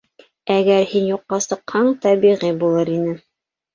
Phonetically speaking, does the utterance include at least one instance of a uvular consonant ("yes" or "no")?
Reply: yes